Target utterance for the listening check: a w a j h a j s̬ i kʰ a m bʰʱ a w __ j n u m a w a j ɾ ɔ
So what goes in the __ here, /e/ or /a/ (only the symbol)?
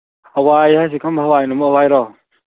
a